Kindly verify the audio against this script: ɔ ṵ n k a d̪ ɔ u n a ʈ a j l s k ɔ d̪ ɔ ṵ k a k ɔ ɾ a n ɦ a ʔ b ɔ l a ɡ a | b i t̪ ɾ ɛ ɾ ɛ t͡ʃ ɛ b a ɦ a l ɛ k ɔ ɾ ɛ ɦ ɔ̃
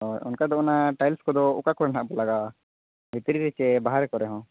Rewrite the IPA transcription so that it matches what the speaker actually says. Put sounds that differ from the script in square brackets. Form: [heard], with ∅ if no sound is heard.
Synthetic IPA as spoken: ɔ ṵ n k a d̪ ɔ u n a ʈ a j l s k ɔ d̪ ɔ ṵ k a k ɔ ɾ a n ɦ a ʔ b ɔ l a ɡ a | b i t̪ ɾ [i] ɾ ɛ t͡ʃ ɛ b a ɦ a [ɾ] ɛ k ɔ ɾ ɛ ɦ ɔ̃